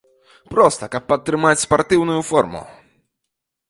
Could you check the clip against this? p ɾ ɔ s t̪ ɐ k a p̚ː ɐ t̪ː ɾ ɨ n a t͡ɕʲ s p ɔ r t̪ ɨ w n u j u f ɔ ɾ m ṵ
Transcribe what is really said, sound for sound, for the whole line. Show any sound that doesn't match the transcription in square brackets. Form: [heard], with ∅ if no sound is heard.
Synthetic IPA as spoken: p ɾ ɔ s t̪ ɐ k a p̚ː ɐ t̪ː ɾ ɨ [m] a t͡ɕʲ s p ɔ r t̪ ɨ w n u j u f ɔ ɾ m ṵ